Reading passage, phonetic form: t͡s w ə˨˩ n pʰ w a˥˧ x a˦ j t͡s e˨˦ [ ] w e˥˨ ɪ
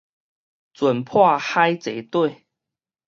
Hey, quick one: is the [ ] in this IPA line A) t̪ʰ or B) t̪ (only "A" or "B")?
B